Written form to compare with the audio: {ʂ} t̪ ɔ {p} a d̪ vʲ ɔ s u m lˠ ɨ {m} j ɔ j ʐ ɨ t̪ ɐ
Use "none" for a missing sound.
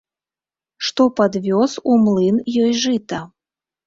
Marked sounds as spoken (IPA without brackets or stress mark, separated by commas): ʂ, p, n